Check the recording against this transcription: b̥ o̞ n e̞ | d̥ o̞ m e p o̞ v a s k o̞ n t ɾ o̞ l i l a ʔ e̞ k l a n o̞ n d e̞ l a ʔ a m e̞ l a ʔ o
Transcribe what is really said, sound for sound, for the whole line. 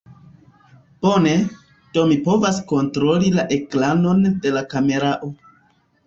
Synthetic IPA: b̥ o̞ n e̞ | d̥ o̞ m i p o̞ v a s k o̞ n t ɾ o̞ l i l a ʔ e̞ k l a n o̞ n d e̞ l a k a m e̞ ɾ a ʔ o